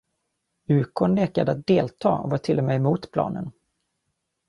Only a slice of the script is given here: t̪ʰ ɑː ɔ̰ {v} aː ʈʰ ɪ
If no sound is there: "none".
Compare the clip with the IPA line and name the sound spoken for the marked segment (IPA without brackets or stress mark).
v